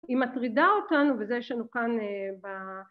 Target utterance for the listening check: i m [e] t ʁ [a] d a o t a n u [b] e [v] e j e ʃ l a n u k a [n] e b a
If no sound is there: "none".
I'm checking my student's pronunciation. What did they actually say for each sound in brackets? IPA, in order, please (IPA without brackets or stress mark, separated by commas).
a, i, v, z, n